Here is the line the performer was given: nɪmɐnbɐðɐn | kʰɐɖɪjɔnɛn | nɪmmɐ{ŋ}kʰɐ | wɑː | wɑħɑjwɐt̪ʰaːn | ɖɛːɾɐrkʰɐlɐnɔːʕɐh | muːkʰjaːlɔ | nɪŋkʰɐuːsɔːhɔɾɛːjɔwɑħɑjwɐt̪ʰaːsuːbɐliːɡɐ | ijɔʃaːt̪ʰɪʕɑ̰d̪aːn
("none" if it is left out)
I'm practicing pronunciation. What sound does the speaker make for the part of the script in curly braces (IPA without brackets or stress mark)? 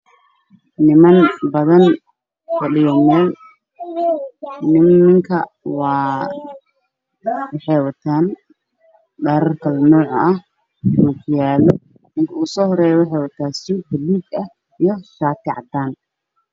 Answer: ŋ